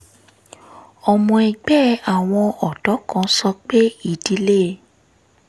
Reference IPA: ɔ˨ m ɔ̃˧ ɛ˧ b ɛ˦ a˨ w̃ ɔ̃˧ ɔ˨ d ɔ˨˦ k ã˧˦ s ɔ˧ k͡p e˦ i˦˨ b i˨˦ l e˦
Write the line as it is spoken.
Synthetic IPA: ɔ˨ m ɔ̃˧ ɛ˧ ɡ͡b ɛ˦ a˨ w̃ ɔ̃˧ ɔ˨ d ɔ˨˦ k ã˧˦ s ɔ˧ k͡p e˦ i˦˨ d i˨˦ l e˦